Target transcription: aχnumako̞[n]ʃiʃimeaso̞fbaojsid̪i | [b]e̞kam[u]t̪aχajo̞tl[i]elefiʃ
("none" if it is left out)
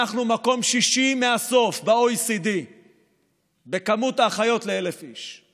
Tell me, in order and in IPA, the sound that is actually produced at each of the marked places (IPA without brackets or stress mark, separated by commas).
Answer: m, b, u, e